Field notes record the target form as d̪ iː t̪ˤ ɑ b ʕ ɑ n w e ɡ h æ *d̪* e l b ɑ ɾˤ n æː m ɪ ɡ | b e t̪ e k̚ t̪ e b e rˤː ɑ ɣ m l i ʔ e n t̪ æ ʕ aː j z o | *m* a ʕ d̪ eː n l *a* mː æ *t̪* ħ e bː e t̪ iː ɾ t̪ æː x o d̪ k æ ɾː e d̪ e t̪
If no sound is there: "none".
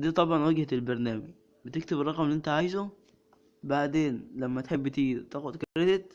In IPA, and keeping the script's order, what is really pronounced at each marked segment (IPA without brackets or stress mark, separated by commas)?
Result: t̪, b, æ, t̪